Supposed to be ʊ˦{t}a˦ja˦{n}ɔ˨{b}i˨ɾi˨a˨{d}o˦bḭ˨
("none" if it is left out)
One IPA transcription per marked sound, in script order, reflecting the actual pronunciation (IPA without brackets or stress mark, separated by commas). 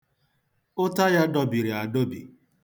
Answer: t, d, b, d